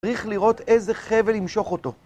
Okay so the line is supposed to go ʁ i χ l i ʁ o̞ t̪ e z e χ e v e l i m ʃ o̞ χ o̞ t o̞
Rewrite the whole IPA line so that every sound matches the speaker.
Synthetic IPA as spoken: ʁ i χ l i ʁ o̞ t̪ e z e χ e v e l i m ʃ o̞ χ o̞ t o̞

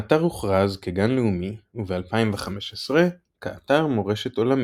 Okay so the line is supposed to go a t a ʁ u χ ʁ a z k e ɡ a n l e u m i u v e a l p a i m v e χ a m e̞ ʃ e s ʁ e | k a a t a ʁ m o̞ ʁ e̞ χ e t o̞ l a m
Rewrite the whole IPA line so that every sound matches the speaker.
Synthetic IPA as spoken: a t a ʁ u χ ʁ a z k e ɡ a n l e u m i u v e a l p a i m v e χ a m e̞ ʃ e s ʁ e | k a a t a ʁ m o̞ ʁ e̞ ʃ e t o̞ l a m

